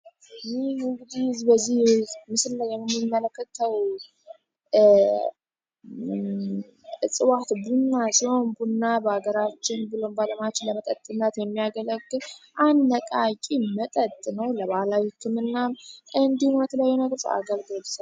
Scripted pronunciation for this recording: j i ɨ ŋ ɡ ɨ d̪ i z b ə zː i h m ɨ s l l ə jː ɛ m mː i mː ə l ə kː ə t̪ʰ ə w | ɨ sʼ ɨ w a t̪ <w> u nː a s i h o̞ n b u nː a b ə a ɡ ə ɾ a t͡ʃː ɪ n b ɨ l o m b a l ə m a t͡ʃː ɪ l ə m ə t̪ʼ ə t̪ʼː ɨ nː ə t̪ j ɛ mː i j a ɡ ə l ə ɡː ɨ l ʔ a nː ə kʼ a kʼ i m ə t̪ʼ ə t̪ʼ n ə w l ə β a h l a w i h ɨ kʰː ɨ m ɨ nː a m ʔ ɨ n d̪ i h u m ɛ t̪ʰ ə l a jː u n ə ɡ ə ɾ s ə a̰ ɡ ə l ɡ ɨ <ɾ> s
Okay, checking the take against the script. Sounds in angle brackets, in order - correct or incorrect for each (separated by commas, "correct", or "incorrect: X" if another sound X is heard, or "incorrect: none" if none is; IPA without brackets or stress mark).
incorrect: b, incorrect: l